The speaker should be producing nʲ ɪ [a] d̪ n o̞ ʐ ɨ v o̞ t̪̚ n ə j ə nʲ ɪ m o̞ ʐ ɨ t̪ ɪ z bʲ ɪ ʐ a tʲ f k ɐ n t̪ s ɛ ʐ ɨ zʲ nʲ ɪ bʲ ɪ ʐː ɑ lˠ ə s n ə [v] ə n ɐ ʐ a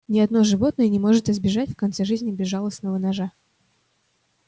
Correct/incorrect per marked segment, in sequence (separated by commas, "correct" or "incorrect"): incorrect, correct